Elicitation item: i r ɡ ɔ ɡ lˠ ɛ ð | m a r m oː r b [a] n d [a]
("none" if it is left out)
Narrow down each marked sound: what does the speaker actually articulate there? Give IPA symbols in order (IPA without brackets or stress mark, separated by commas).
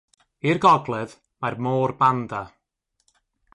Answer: a, a